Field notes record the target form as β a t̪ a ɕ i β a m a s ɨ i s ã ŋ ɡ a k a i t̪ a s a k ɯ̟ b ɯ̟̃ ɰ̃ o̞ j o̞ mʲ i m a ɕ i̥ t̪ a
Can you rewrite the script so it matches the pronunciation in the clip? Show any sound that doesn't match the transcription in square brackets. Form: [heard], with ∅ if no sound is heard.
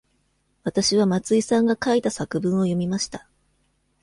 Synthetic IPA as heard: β a t̪ a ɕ i β a m a [t͡s] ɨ i s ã ŋ ɡ a k a i t̪ a s a k ɯ̟ b ɯ̟̃ ɰ̃ o̞ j o̞ mʲ i m a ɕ i̥ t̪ a